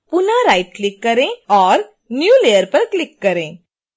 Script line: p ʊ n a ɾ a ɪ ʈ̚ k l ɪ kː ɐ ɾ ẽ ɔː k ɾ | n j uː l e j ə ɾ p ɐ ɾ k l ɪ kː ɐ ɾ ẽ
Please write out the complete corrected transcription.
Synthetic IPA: p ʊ n a ɾ a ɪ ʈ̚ k l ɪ kː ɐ ɾ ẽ ɔː ɾ | n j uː l e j ə ɾ p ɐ ɾ k l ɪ kː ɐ ɾ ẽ